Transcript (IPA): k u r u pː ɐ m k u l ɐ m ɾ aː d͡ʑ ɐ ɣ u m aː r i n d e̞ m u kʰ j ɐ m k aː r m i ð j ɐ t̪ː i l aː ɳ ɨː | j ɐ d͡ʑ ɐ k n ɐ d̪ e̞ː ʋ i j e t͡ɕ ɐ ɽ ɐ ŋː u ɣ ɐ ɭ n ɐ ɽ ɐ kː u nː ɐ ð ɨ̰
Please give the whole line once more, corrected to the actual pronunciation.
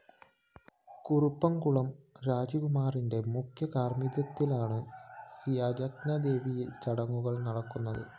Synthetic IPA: k u r u pː ɐ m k u ɭ ɐ m ɾ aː d͡ʑ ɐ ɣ u m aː r i n d e̞ m u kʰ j ɐ k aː r m i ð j ɐ t̪ː i l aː ɳ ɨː | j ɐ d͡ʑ ɐ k n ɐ d̪ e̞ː ʋ i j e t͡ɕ ɐ ɽ ɐ ŋː u ɣ ɐ ɭ n ɐ ɽ ɐ kː u nː ɐ ð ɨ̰